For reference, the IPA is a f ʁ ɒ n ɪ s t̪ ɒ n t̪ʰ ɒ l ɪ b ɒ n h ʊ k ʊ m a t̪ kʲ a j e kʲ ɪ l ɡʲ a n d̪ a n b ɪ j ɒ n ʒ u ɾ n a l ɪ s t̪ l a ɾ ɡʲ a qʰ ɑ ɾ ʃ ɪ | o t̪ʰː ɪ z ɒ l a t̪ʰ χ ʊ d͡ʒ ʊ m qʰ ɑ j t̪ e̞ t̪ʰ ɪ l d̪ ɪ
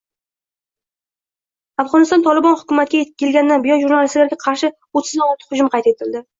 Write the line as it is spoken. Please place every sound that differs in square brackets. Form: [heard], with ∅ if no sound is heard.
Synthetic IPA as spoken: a f ʁ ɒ n ɪ s t̪ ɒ n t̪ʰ ɒ l ɪ b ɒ n h ʊ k ʊ m a t̪ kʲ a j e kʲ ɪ l ɡʲ a n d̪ a n b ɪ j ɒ n ʒ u ɾ n a l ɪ s t̪ l a ɾ ɡʲ a qʰ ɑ ɾ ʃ ɪ | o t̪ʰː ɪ z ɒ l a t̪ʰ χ ʊ d͡ʒ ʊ m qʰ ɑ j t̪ e̞ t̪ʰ ɪ l d̪ ɪ